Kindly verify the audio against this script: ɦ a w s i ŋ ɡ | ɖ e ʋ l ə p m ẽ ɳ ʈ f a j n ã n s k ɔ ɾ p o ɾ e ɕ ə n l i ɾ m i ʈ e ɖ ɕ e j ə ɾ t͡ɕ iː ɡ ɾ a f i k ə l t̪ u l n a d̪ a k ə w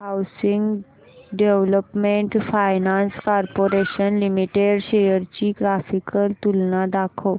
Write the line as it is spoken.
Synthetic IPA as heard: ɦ a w s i ŋ ɡ | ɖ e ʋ l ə p m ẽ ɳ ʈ f a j n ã n s k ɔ ɾ p o ɾ e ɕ ə n l i m i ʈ e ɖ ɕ e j ə ɾ t͡ɕ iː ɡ ɾ a f i k ə l t̪ u l n a d̪ a kʰ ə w